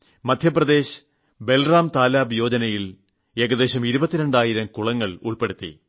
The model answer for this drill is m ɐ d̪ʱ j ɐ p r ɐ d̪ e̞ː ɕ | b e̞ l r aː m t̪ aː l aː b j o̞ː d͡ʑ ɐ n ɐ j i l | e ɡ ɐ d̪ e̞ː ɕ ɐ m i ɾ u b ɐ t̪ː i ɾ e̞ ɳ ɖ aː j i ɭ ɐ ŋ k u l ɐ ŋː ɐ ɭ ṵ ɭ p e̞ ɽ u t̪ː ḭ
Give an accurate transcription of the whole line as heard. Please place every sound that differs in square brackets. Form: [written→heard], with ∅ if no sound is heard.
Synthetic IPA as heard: m ɐ d̪ʱ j ɐ p r ɐ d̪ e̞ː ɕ | b e̞ l r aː m t̪ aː l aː b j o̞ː d͡ʑ ɐ n ɐ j i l | e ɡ ɐ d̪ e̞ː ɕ ɐ m i ɾ u b ɐ t̪ː i ɾ e̞ ɳ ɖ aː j i [ɭ→ɾ] ɐ [ŋ→m] k u [l→ɭ] ɐ ŋː ɐ ɭ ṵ ɭ p e̞ ɽ u t̪ː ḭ